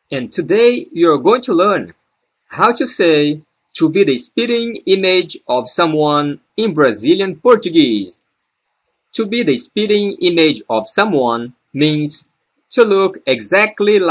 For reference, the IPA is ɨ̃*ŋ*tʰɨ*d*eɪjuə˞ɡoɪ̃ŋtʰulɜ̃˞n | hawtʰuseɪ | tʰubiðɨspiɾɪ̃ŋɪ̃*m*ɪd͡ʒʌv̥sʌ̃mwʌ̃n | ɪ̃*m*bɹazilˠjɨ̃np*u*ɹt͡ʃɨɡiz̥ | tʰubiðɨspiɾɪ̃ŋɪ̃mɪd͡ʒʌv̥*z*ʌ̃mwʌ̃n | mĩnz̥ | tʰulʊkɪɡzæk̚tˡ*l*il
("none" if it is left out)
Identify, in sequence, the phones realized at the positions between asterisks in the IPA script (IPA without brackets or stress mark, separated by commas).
n, d, m, n, ɔ, s, l